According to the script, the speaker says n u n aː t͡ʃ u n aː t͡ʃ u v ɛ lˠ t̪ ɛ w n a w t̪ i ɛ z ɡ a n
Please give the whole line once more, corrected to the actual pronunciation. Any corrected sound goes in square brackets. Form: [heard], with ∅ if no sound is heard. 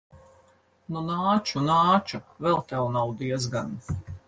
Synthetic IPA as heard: n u n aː t͡ʃ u n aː t͡ʃ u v ɛ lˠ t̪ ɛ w n a w [d̪] i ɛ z ɡ a n

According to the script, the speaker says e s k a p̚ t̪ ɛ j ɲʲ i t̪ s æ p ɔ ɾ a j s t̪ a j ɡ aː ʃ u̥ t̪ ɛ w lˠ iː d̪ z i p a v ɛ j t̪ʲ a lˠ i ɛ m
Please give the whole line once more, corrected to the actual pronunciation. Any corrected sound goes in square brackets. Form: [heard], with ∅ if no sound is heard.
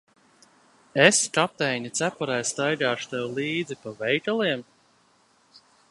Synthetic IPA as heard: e s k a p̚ t̪ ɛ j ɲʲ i t̪ s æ p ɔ ɾ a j s t̪ a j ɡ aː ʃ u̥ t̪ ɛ w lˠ iː d̪ z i p a v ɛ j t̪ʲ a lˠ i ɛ m

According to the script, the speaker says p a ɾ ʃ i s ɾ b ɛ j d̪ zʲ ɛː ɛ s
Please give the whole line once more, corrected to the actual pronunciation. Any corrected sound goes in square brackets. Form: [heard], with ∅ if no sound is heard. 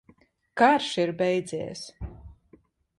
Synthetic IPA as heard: [k] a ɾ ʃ i [∅] ɾ b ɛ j d̪ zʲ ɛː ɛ s

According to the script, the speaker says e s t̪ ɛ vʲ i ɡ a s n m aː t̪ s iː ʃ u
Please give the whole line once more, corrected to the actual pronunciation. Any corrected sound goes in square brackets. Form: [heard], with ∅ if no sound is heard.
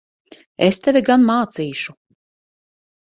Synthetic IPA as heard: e s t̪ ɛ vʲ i ɡ a [∅] n m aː t̪ s iː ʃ u

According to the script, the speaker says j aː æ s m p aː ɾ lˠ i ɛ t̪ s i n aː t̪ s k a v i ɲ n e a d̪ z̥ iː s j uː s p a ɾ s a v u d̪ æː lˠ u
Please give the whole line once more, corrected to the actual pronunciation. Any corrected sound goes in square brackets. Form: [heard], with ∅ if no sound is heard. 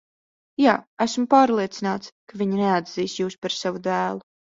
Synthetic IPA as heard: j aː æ s m p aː ɾ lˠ i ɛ t̪ s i n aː t̪ s k a v i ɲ n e a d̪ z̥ iː s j uː s p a ɾ s a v u d̪ æː lˠ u

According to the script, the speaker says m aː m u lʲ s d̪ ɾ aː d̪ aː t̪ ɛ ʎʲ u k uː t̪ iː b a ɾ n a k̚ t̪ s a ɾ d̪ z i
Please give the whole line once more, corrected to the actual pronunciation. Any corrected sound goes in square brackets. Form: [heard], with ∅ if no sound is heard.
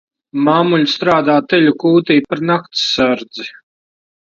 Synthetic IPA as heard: m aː m u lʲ s [t̪] ɾ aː d̪ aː t̪ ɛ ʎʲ u k uː t̪ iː [p] a ɾ n a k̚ t̪ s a ɾ d̪ z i

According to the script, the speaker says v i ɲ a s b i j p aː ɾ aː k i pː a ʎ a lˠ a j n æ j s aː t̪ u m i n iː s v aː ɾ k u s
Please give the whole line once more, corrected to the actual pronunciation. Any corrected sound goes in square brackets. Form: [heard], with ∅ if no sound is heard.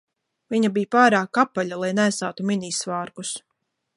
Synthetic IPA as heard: v i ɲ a [∅] b i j p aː ɾ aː k [a] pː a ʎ a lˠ a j n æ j s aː t̪ u m i n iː s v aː ɾ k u s

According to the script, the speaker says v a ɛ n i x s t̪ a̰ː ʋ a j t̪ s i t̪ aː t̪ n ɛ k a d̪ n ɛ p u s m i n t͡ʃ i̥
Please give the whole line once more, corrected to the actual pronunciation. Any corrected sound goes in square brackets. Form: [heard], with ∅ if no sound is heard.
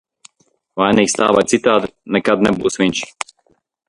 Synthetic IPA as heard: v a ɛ n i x s t̪ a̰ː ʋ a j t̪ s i t̪ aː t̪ n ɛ k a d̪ n ɛ [b] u s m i n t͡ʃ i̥

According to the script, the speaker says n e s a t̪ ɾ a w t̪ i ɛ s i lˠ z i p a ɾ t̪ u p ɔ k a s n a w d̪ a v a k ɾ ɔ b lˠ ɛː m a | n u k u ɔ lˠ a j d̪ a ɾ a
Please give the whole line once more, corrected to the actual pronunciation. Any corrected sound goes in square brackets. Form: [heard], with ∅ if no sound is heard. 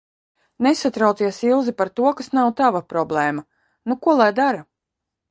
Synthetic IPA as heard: n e s a t̪ ɾ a w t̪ i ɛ s i lˠ z i p a ɾ t̪ u [∅] ɔ k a s n a w [t̪] a v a [p] ɾ ɔ b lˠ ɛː m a | n u k u ɔ lˠ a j d̪ a ɾ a

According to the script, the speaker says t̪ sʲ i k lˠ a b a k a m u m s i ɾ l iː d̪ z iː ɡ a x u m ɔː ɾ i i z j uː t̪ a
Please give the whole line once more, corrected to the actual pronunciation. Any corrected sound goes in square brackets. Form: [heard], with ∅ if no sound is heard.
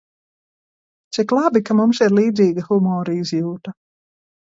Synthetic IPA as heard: t̪ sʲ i k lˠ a b [i] k a m u m s i ɾ l iː d̪ z iː ɡ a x u m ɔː ɾ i i z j uː t̪ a

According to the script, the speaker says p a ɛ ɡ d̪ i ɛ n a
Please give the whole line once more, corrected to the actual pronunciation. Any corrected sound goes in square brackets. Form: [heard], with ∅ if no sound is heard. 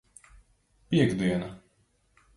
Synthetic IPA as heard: p [i] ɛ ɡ d̪ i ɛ n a

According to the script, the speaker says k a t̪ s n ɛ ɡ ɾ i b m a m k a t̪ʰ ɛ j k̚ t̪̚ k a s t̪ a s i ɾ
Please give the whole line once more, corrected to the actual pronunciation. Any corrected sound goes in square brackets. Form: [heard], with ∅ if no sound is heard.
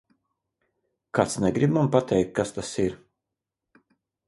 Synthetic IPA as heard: k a t̪ s n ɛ ɡ ɾ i b m a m [p] a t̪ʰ ɛ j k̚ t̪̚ k a s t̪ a s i ɾ

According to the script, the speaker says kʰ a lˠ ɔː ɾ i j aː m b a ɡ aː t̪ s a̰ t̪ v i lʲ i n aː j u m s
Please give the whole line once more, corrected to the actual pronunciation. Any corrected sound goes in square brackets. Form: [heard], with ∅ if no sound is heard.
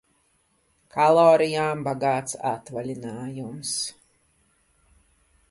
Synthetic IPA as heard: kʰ a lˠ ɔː ɾ i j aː m b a ɡ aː t̪ s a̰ t̪ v [a] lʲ i n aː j u m s

